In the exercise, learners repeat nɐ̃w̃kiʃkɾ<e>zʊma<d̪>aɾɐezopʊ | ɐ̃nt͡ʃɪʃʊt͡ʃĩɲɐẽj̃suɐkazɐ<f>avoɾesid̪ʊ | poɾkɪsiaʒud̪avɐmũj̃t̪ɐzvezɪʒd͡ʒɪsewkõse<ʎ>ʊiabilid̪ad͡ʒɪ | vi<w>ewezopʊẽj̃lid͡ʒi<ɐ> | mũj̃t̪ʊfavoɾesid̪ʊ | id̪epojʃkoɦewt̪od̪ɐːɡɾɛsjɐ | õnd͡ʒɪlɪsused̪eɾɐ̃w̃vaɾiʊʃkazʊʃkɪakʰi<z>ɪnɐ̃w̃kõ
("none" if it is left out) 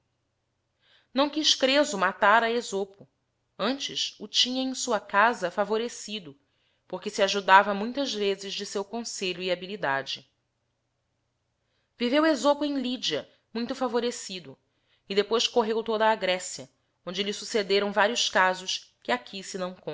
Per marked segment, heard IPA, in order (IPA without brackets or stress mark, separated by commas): e, t̪, f, ʎ, v, ɐ, s